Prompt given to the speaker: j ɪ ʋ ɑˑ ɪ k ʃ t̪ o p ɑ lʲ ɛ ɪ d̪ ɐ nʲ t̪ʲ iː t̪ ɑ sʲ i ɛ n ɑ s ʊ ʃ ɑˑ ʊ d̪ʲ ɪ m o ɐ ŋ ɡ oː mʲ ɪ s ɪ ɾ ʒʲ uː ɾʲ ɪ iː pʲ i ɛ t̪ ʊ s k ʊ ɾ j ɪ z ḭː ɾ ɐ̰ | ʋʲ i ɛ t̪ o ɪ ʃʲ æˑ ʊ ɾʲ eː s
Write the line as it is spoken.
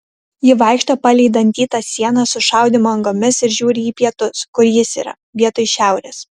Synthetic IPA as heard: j ɪ ʋ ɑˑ ɪ k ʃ t̪ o p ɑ lʲ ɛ ɪ d̪ ɐ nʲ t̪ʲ iː t̪ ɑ sʲ i ɛ n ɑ s ʊ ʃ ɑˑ ʊ d̪ʲ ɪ m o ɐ ŋ ɡ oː mʲ ɪ s ɪ ɾ ʒʲ uː ɾʲ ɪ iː pʲ i ɛ t̪ ʊ s k ʊ ɾ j ɪ s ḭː ɾ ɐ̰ | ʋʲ i ɛ t̪ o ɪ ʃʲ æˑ ʊ ɾʲ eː s